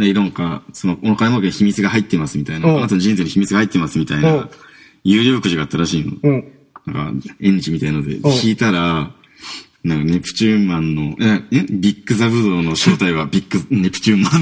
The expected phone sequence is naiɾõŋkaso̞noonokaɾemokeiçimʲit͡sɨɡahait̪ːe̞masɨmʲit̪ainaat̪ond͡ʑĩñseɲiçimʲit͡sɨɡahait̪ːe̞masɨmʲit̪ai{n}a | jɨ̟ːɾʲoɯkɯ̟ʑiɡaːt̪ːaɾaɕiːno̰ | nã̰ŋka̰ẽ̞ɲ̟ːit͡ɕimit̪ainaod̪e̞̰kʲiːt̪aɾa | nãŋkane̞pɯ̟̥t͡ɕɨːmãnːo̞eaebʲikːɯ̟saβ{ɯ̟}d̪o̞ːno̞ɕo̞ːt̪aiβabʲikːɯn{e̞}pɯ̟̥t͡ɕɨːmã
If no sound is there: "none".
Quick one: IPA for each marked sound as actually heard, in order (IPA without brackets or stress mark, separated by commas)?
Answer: n, ɯ̟, e̞